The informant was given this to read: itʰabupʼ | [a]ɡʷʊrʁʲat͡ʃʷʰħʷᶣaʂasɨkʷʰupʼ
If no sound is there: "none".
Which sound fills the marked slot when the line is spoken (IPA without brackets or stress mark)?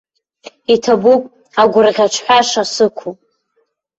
a